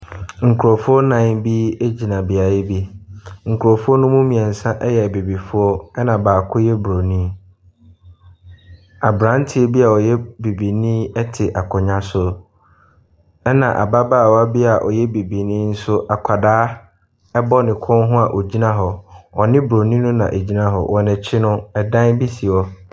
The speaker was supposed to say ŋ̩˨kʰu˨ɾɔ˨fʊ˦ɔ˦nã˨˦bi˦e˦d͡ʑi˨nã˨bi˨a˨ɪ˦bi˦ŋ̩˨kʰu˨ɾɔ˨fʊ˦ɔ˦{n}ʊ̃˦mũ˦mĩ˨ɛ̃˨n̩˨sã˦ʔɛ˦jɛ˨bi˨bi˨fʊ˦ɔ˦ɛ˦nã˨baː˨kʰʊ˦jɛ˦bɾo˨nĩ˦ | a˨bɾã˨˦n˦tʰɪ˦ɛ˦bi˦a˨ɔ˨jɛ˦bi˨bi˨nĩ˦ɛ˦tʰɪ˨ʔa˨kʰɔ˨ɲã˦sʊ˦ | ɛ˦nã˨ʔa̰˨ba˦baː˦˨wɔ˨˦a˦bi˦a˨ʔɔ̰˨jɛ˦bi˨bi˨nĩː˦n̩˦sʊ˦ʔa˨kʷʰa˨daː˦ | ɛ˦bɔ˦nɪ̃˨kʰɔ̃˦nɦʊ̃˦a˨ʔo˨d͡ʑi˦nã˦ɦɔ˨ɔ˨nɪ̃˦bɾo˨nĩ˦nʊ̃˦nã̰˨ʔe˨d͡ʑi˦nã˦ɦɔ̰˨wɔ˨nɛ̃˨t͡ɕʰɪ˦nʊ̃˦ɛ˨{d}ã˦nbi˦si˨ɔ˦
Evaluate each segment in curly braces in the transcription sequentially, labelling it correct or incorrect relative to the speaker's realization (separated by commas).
correct, correct